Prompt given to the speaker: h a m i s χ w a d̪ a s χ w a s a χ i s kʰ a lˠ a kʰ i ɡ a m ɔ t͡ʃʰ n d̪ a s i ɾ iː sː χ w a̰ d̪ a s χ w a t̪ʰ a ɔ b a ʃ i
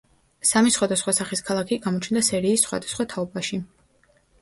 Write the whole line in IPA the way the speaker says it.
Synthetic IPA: s a m i s χ w a d̪ a s χ w a s a χ i s kʰ a lˠ a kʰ i ɡ a m ɔ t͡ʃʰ n d̪ a s ɛ ɾ iː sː χ w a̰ d̪ a s χ w a t̪ʰ a ɔ b a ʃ i